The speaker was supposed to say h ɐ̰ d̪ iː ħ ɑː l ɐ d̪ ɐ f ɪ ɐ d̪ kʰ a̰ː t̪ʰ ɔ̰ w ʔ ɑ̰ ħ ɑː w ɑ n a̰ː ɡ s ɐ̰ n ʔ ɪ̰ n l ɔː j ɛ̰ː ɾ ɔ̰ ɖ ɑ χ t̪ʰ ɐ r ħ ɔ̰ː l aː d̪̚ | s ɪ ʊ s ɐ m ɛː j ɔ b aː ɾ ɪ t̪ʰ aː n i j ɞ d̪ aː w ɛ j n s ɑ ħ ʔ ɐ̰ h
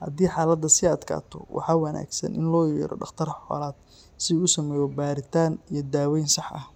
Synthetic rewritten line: h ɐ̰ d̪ iː ħ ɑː l ɐ d̪ ɐ s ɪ ɐ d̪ kʰ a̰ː t̪ʰ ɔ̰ w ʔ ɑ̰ ħ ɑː w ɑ n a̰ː ɡ s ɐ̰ n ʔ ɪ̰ n l ɔː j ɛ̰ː ɾ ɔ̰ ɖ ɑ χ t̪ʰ ɐ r ħ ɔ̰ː l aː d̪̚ | s ɪ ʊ s ɐ m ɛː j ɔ b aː ɾ ɪ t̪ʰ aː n i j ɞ d̪ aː w ɛ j n s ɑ ħ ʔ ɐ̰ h